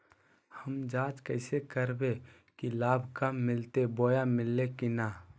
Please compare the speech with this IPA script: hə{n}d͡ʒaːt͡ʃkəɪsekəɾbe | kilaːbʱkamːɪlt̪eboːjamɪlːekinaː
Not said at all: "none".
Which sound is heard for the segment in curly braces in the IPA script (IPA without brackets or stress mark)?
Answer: m